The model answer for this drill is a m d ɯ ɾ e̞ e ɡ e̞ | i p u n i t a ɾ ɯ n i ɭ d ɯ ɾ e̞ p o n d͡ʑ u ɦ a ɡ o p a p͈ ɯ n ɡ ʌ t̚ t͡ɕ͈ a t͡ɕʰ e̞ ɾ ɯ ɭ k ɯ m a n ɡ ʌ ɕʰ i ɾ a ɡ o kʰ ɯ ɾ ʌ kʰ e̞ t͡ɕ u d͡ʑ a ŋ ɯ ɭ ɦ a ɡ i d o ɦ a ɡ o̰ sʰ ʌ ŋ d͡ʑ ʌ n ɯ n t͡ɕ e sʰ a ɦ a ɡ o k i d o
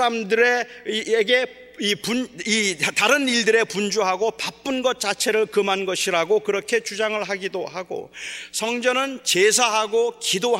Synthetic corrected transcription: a m d ɯ ɾ e̞ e ɡ e̞ | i p u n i t a ɾ ɯ n i ɭ d ɯ ɾ e̞ p u n d͡ʑ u ɦ a ɡ o p a p͈ ɯ n ɡ ʌ t̚ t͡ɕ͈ a t͡ɕʰ e̞ ɾ ɯ ɭ k ɯ m a n ɡ ʌ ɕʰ i ɾ a ɡ o k ɯ ɾ ʌ kʰ e̞ t͡ɕ u d͡ʑ a ŋ ɯ ɭ ɦ a ɡ i d o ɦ a ɡ o̰ sʰ ʌ ŋ d͡ʑ ʌ n ɯ n t͡ɕ e sʰ a ɦ a ɡ o k i d o